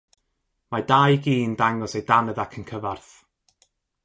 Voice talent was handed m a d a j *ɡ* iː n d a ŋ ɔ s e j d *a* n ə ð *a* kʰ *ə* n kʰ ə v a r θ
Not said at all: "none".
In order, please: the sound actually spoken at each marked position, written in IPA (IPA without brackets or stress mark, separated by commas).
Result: ɡ, a, a, ə